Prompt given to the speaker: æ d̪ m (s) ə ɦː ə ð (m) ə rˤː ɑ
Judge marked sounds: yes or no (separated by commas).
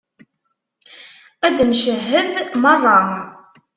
no, yes